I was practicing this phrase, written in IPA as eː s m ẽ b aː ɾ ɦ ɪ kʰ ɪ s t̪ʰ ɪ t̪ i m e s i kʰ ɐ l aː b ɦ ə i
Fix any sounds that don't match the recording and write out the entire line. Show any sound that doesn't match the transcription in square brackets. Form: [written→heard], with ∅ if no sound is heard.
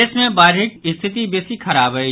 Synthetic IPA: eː s m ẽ b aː ɾ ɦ ɪ [kʰ→k] ɪ s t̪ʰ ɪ t̪ i [m→b] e s i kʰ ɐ [l→ɾ] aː b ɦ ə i

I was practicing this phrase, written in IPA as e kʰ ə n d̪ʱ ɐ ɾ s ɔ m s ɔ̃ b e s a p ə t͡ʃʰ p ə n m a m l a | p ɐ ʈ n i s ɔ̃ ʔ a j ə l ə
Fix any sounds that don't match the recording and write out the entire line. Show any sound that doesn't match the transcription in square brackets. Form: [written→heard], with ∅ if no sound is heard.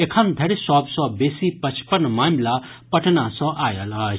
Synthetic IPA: e kʰ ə n d̪ʱ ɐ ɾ s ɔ [m→b] s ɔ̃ b e s [a→i] p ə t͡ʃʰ p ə n m a m l a | p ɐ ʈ n [i→a] s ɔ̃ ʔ a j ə l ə

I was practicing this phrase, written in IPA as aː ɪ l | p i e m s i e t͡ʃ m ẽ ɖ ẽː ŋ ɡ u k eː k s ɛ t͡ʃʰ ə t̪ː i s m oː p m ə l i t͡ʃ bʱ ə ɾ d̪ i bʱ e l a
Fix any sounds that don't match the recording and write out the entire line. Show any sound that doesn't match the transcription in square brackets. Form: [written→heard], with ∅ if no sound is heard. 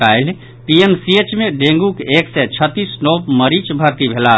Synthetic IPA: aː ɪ l | p i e m s i e t͡ʃ m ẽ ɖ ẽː ŋ ɡ u k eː k s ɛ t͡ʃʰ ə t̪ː i s [m→n] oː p m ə [l→ɾ] i t͡ʃ bʱ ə ɾ [d̪→t̪] i bʱ e l a

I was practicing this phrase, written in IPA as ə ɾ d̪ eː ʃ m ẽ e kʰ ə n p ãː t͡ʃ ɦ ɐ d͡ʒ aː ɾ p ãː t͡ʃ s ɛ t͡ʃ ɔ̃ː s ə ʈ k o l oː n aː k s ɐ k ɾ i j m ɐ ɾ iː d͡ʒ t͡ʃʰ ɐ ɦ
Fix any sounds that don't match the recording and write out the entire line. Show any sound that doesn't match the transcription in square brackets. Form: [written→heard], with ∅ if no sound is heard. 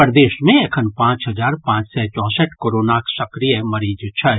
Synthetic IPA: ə ɾ d̪ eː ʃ m ẽ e kʰ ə n p ãː t͡ʃ ɦ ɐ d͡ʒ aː ɾ p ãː t͡ʃ s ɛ t͡ʃ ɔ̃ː s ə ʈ k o [l→ɾ] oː n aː k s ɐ k ɾ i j m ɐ ɾ iː d͡ʒ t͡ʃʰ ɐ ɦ

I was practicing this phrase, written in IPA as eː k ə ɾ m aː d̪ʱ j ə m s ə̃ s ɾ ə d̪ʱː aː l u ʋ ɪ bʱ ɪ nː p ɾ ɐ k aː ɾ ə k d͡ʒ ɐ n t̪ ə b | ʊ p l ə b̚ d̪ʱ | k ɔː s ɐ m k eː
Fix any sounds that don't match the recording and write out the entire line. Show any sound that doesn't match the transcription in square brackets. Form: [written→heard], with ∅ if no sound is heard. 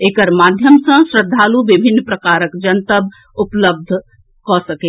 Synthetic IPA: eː k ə ɾ m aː d̪ʱ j ə m s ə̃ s ɾ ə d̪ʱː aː l u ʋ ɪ bʱ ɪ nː p ɾ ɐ k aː ɾ ə k d͡ʒ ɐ n t̪ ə b | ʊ p l ə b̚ d̪ʱ | k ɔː s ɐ [m→∅] k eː

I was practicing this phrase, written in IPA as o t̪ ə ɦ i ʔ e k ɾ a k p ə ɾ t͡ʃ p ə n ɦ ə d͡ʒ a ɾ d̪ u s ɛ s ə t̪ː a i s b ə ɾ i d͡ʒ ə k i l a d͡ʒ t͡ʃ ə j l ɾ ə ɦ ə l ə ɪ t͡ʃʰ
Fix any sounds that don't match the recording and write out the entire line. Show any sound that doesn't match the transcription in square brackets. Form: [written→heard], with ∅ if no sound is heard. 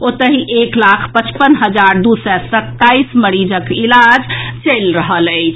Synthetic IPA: o t̪ ə ɦ i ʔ e k [ɾ→l] a [k→kʰ] p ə [ɾ→∅] t͡ʃ p ə n ɦ ə d͡ʒ a ɾ d̪ u s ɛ s ə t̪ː a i s [b→m] ə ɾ i d͡ʒ ə k i l a d͡ʒ t͡ʃ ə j l ɾ ə ɦ ə l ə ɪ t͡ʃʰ

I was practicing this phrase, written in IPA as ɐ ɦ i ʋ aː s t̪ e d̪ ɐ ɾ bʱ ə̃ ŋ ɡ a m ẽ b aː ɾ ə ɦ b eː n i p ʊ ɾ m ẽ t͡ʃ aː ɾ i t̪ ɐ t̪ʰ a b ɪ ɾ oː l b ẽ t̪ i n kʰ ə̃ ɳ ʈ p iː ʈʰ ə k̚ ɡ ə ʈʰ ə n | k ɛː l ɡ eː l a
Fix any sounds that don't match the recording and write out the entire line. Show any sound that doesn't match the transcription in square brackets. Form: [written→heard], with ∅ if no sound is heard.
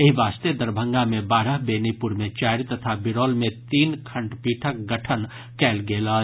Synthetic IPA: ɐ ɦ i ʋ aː s t̪ e d̪ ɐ ɾ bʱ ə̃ ŋ ɡ a m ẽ b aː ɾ ə ɦ b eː n i p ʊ ɾ m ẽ t͡ʃ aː ɾ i t̪ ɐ t̪ʰ a b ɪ ɾ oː l [b→m] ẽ t̪ [i→iː] n kʰ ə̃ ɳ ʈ p iː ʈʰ ə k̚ ɡ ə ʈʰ ə n | k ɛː l ɡ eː l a

